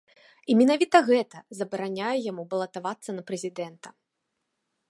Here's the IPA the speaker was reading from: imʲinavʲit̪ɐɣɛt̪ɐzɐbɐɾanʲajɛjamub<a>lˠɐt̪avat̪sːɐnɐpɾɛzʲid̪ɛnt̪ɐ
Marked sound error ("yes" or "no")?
yes